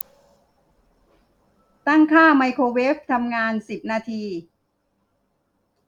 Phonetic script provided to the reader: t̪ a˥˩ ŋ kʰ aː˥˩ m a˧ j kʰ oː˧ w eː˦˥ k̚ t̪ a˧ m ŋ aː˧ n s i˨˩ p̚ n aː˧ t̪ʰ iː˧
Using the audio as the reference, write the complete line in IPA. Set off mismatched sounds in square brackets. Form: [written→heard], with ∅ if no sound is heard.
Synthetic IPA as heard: t̪ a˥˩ ŋ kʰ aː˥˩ m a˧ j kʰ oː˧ w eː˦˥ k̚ [t̪→t̪ʰ] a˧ m ŋ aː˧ n s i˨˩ p̚ n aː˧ t̪ʰ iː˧